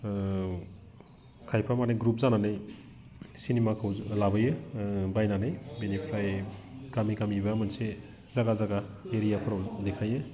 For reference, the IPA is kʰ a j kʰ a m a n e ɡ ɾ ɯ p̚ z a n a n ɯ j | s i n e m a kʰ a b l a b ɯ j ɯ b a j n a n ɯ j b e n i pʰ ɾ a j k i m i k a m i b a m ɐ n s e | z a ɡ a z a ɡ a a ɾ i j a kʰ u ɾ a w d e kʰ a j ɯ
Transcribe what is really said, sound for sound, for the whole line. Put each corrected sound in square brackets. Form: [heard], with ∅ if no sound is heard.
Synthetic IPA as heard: kʰ a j [pʰ] a m a n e ɡ ɾ [u] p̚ z a n a n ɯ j | s i n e m a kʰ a [w] l a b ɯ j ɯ b a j n a n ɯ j b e n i pʰ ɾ a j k [a] m i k a m i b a m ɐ n s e | z a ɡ a z a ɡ a [e] ɾ i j a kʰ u ɾ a w d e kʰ a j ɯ

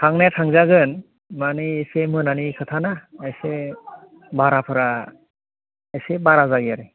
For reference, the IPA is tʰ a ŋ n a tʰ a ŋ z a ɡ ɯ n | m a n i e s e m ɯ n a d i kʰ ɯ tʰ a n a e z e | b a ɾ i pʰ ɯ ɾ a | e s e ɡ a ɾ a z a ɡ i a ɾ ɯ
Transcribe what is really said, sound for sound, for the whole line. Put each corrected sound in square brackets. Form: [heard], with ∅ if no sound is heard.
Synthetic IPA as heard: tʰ a ŋ n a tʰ a ŋ z a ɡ ɯ n | m a n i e s e m ɯ n a [n] i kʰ ɯ tʰ a n a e [s] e | b a ɾ [a] pʰ ɯ ɾ a | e s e [b] a ɾ a z a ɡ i a ɾ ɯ

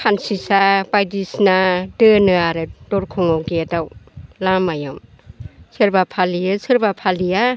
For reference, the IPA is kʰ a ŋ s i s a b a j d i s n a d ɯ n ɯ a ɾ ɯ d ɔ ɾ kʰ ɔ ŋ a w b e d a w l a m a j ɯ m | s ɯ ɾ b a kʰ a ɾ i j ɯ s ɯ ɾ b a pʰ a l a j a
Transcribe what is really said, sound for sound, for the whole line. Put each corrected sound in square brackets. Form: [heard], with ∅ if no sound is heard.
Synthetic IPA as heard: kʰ a [n] s i s a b a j d i s n a d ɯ n ɯ a ɾ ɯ d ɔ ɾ kʰ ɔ ŋ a w [ɡ] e d a w l a m a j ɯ m | s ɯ ɾ b a [pʰ] a [l] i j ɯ s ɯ ɾ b a pʰ a l [i] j a

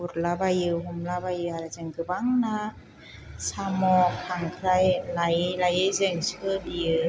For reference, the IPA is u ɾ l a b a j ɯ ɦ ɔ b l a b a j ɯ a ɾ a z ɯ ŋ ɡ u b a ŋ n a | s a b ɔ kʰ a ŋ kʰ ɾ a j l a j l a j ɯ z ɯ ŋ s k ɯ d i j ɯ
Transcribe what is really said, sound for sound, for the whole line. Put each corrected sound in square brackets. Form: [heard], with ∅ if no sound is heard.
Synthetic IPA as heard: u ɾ l a b a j ɯ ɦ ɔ [m] l a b a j ɯ a ɾ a z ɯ ŋ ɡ [ɯ] b a ŋ n a | s a [m] ɔ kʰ a ŋ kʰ ɾ a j l a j l a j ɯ z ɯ ŋ s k ɯ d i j ɯ

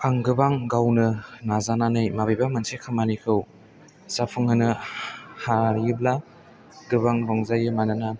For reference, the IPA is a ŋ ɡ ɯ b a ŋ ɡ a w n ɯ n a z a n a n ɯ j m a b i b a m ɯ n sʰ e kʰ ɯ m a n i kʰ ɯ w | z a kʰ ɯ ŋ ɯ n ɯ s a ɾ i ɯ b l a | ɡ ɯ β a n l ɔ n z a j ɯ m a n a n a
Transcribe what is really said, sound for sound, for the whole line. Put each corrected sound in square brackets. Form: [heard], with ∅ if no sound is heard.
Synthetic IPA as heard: a ŋ ɡ ɯ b a ŋ ɡ a w n ɯ n a z a n a n ɯ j m a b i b a m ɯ n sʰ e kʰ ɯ m a n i kʰ ɯ w | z a [pʰ] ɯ ŋ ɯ n ɯ [h] a ɾ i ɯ b l a | ɡ ɯ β a [ŋ] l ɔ [ŋ] z a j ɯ m a n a n a

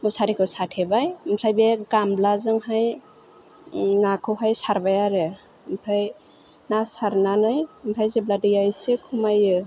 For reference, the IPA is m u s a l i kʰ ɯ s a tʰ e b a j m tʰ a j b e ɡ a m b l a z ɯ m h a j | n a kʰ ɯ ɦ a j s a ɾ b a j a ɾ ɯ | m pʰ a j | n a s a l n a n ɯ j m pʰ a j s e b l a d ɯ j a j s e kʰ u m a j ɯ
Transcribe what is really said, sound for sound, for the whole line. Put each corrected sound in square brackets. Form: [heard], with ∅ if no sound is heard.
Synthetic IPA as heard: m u s a [ɾ] i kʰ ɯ s a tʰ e b a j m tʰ a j b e ɡ a m b l a z ɯ [ŋ] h a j | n a kʰ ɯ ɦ a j s a ɾ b a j a ɾ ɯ | m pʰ a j | n a s a [ɾ] n a n ɯ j m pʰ a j [z] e b l a d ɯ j a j s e kʰ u m a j ɯ

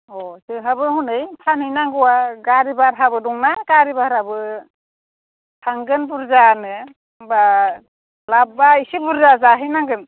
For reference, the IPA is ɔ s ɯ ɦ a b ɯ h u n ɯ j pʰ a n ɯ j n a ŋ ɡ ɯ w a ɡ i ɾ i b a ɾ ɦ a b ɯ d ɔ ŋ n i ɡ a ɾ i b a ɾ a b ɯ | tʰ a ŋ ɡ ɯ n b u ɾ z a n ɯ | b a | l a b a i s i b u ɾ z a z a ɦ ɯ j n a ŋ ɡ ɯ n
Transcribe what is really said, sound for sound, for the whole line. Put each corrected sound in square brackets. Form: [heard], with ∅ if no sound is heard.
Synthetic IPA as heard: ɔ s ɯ ɦ a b ɯ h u n ɯ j pʰ a n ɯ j n a ŋ ɡ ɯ w a ɡ [a] ɾ i b a ɾ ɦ a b ɯ d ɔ ŋ n [a] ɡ a ɾ i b a ɾ a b ɯ | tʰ a ŋ ɡ ɯ n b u ɾ z a n ɯ | b a | l a b a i s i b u ɾ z a z a ɦ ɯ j n a ŋ ɡ ɯ n

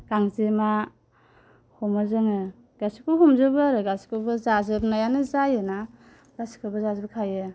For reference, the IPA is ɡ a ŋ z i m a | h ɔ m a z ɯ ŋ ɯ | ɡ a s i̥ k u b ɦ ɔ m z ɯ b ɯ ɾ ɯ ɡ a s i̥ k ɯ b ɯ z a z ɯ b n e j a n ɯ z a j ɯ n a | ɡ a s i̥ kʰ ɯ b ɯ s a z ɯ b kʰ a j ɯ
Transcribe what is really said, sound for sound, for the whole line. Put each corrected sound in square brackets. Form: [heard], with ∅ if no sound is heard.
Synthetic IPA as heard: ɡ a ŋ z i m a | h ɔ m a z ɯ ŋ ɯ | ɡ a s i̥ k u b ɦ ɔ m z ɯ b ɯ ɾ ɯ ɡ a s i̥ k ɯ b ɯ z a z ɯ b n [a] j a n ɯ z a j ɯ n a | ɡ a s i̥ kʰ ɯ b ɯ [z] a z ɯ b kʰ a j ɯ

